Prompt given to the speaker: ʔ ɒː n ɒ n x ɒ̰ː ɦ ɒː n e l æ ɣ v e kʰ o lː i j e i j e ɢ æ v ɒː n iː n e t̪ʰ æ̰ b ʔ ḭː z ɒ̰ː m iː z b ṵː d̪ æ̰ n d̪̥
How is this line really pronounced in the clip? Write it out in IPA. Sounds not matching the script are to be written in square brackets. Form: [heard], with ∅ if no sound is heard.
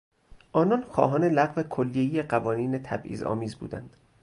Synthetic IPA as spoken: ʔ ɒː n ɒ n x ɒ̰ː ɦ ɒː n e l æ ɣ v e kʰ o lː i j e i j e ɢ æ v ɒː n iː n e t̪ʰ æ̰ b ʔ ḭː z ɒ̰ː m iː z b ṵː d̪ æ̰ n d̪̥